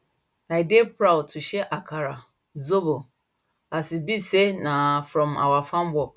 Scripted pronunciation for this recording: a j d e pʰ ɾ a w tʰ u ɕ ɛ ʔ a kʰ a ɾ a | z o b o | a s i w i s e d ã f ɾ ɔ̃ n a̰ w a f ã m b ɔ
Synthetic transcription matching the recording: a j d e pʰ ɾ a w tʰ u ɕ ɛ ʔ a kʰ a ɾ a | z o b o | a s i b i s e n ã f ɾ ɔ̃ m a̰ w a f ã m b ɔ